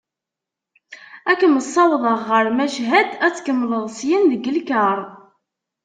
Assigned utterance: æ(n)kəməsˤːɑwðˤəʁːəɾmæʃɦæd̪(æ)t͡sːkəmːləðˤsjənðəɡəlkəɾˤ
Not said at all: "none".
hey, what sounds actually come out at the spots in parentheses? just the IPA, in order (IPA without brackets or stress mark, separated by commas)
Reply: none, æ